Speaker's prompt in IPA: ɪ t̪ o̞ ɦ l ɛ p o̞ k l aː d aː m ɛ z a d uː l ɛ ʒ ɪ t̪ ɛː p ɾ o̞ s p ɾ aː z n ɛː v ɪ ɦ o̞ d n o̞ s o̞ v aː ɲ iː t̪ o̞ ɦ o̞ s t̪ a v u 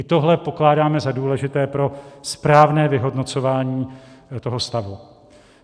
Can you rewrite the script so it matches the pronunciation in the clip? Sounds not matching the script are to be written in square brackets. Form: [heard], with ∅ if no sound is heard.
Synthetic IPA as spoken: ɪ t̪ o̞ ɦ l ɛ p o̞ k l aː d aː m ɛ z a d uː l ɛ ʒ ɪ t̪ ɛː p ɾ o̞ s p ɾ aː [v] n ɛː v ɪ ɦ o̞ d n o̞ [t͡s] o̞ v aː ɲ iː t̪ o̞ ɦ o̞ s t̪ a v u